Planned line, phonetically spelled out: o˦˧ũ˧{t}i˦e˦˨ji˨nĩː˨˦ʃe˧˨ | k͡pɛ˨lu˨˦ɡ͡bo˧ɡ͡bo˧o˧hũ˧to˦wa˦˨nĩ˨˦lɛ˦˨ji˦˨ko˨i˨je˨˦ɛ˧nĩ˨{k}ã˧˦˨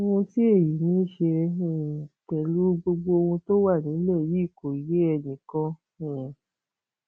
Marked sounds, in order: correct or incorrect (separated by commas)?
correct, correct